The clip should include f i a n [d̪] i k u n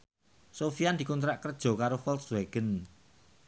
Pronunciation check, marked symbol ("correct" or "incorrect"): correct